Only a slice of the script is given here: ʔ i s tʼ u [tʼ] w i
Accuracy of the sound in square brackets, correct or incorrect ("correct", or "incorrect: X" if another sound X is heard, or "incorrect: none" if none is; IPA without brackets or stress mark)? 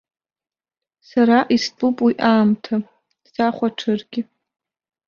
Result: incorrect: pʼ